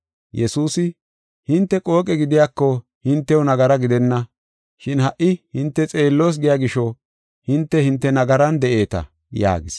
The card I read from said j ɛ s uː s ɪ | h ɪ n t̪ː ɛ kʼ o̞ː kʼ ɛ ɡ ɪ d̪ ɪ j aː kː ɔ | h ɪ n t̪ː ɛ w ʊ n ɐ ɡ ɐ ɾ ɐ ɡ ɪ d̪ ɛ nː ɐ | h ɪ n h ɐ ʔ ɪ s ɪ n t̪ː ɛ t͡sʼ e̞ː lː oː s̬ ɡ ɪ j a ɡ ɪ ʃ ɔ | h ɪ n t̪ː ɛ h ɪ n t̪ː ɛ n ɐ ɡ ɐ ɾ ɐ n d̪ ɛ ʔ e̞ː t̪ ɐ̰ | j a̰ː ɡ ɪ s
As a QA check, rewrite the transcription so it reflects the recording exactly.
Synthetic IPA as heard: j ɛ s uː s ɪ | h ɪ n t̪ː ɛ kʼ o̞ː kʼ ɛ ɡ ɪ d̪ ɪ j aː kː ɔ | h ɪ n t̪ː ɛ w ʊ n ɐ ɡ ɐ ɾ ɐ ɡ ɪ d̪ ɛ nː ɐ | ʃ ɪ n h ɐ ʔ ɪ h ɪ n t̪ː ɛ t͡sʼ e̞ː lː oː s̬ ɡ ɪ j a ɡ ɪ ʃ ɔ | h ɪ n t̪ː ɛ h ɪ n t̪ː ɛ n ɐ ɡ ɐ ɾ ɐ n d̪ ɛ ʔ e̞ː t̪ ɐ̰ | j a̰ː ɡ ɪ s